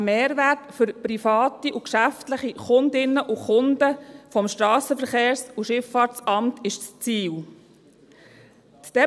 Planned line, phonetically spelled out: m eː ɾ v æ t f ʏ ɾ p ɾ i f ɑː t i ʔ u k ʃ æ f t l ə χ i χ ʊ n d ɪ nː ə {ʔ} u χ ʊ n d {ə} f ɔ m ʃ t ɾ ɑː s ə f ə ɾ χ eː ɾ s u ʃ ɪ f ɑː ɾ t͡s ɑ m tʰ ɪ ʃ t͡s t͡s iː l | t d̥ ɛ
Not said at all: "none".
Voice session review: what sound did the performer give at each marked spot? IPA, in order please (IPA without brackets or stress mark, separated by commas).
ʔ, ə